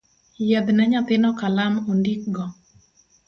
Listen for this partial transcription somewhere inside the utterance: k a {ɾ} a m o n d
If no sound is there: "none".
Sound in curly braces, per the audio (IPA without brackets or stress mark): l